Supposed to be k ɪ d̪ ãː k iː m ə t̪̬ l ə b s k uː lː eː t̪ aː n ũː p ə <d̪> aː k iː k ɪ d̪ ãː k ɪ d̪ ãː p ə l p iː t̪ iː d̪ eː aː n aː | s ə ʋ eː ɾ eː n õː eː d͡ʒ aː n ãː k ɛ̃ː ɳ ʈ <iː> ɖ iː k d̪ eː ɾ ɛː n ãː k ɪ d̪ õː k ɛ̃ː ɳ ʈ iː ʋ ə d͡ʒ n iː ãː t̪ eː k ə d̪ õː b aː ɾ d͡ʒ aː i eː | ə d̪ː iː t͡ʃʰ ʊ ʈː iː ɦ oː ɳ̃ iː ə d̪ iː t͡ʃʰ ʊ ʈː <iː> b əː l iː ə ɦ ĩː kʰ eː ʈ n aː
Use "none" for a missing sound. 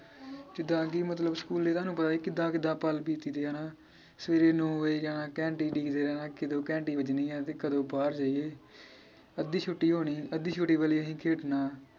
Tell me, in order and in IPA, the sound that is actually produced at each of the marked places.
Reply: t̪, iː, iː

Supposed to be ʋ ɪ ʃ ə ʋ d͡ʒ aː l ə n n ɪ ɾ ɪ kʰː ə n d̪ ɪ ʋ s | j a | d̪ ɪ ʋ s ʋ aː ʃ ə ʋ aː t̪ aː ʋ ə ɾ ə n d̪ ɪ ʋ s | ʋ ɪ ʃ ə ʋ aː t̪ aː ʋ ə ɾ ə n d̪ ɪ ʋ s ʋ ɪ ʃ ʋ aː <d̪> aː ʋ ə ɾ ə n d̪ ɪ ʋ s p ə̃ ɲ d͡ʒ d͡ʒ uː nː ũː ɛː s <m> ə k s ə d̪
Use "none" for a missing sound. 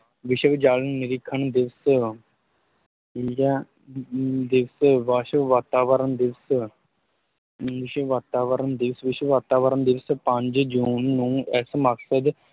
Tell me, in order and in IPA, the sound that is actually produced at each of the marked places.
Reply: t̪, m

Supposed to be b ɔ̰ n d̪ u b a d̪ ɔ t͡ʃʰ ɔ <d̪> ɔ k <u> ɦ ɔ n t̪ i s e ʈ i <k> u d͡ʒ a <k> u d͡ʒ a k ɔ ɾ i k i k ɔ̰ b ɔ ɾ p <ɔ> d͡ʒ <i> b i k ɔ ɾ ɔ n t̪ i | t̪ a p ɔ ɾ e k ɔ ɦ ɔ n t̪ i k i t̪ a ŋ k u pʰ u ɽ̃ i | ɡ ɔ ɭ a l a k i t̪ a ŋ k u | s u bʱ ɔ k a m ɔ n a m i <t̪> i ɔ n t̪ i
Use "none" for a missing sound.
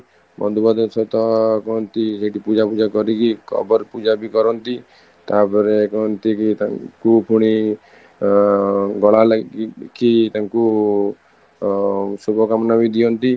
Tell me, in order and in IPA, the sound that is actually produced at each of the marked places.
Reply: t̪, ɔ, p, p, u, a, d̪

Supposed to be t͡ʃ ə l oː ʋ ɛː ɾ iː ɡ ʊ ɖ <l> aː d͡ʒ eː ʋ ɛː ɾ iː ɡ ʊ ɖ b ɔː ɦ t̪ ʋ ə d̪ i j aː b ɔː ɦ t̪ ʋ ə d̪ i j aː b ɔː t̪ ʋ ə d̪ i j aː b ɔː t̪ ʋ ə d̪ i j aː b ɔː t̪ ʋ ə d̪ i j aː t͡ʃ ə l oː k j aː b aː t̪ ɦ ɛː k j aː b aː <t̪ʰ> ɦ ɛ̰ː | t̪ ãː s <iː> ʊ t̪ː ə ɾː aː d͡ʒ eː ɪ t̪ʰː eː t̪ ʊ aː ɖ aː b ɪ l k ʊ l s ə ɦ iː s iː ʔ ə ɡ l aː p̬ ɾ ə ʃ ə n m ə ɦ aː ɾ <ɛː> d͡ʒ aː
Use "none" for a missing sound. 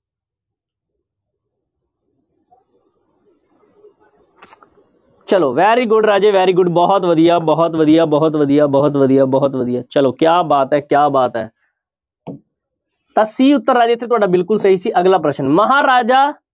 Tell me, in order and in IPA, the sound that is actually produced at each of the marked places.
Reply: ɾ, t̪, iː, aː

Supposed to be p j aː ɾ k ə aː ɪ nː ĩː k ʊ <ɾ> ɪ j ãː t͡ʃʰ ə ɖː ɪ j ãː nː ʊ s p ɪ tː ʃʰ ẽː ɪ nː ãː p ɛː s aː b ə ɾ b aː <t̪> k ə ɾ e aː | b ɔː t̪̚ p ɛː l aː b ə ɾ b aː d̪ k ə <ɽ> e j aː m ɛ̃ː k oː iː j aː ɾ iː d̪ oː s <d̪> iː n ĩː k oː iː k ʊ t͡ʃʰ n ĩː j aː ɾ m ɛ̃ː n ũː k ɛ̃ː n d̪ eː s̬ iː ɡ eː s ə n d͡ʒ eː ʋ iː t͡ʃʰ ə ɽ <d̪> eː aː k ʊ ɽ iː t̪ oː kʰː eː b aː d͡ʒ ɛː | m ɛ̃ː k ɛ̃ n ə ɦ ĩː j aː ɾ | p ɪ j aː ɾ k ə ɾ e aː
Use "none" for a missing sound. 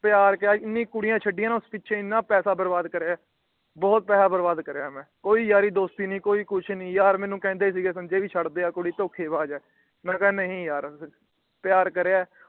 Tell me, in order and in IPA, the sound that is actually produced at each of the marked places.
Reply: ɽ, d̪, ɾ, t̪, d̪

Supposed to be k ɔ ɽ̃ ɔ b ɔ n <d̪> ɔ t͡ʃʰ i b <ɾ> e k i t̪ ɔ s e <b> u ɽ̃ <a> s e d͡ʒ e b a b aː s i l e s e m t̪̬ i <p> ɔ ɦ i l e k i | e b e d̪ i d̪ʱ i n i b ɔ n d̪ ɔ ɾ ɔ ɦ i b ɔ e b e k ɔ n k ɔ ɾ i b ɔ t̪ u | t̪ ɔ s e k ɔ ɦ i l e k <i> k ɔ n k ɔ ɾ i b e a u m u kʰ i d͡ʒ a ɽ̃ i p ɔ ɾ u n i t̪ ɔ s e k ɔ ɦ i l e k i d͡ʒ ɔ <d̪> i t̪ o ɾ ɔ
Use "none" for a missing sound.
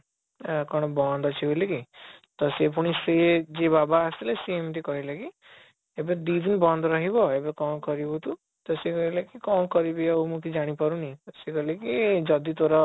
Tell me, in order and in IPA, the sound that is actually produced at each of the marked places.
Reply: d̪, l, p, i, k, i, d̪

